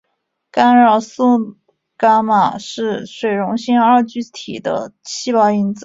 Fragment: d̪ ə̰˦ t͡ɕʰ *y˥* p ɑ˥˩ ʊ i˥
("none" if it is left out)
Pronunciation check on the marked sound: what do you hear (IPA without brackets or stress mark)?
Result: i˥